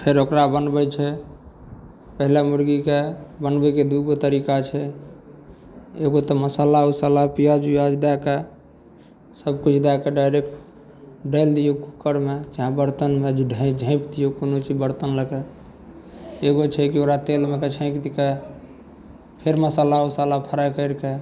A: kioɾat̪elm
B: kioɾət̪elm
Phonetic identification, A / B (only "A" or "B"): A